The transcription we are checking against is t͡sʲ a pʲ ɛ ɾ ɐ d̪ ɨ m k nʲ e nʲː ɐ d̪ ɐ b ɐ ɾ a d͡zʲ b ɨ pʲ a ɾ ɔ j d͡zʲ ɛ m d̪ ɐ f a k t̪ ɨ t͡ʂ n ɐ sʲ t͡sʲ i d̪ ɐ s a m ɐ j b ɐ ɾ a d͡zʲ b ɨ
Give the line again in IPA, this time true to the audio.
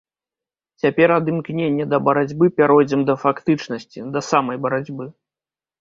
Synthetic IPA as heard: t͡sʲ a pʲ ɛ ɾ ɐ d̪ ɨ m k nʲ e nʲː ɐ d̪ ɐ b ɐ ɾ a d͡zʲ b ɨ pʲ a ɾ ɔ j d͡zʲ ɛ m d̪ ɐ f a k t̪ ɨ t͡ʂ n ɐ sʲ t͡sʲ i d̪ ɐ s a m ɐ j b ɐ ɾ a d͡zʲ b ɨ